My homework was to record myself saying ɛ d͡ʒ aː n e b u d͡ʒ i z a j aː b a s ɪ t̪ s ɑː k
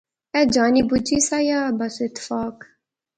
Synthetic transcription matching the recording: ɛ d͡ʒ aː n i b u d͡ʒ i s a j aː b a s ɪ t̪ f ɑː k